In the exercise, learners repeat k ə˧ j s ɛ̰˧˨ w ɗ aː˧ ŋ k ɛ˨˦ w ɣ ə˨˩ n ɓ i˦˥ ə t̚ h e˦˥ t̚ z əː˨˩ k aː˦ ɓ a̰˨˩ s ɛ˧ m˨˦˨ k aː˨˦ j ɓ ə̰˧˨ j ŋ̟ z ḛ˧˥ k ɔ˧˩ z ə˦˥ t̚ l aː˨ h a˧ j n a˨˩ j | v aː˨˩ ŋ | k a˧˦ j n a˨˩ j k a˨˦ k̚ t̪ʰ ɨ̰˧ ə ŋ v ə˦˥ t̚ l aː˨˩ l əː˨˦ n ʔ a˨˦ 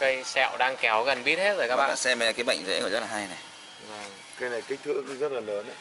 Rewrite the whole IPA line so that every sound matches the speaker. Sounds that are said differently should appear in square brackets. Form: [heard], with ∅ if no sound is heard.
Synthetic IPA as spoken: k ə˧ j s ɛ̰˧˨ w ɗ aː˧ ŋ k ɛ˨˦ w ɣ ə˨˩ n ɓ i˦˥ ə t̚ h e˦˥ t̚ z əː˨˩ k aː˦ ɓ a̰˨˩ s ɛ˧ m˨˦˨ k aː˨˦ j ɓ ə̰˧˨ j ŋ̟ z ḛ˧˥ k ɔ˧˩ z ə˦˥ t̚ l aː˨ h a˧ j n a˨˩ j | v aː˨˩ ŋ | k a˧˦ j n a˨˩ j k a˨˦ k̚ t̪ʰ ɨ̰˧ ə ŋ [z] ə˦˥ t̚ l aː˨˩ l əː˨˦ n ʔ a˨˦